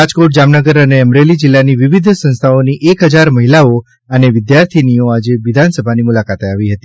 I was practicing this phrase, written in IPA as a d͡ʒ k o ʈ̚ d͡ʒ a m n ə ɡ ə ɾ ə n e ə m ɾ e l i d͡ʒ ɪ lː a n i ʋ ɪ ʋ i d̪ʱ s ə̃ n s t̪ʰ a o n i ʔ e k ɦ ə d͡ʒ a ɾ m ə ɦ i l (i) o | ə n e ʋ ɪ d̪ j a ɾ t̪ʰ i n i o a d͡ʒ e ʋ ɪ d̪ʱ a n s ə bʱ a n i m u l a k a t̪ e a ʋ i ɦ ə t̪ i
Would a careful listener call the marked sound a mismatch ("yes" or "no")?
yes